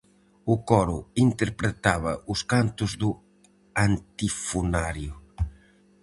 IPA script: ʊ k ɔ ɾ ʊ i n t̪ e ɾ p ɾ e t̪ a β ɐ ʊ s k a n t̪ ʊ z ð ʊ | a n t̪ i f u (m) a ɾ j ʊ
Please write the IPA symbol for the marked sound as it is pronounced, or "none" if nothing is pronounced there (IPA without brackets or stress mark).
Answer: n